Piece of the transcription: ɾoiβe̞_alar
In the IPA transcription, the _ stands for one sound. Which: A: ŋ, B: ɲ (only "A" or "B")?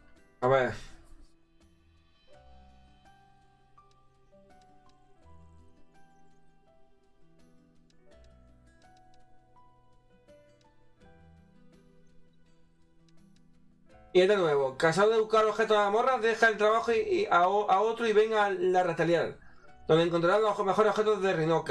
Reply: A